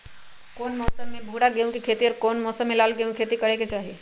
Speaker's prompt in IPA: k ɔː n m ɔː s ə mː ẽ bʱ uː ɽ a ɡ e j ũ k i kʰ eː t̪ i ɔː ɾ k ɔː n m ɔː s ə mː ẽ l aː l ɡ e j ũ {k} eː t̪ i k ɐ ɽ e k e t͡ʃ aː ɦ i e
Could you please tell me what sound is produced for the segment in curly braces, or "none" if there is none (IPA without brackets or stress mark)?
kʰ